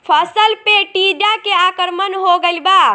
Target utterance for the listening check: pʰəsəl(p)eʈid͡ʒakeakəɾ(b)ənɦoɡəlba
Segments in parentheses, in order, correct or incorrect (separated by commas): correct, incorrect